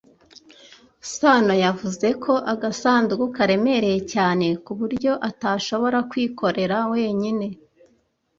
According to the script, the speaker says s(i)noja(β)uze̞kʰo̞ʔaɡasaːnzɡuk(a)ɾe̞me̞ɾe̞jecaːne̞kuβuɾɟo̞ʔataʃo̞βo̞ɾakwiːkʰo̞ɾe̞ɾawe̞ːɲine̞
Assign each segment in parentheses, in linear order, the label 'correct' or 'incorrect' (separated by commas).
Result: incorrect, incorrect, correct